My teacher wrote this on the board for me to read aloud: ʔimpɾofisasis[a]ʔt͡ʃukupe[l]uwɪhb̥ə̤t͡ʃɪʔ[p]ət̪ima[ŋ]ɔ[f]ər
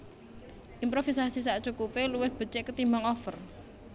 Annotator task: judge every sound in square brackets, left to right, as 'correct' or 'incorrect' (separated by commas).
correct, correct, incorrect, correct, correct